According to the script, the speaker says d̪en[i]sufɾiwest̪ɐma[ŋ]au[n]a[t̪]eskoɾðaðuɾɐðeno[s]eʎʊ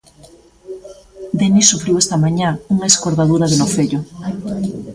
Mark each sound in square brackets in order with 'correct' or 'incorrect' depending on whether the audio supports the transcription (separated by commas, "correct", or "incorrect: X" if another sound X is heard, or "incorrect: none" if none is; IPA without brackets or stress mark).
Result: correct, incorrect: ɲ, incorrect: ŋ, incorrect: none, incorrect: f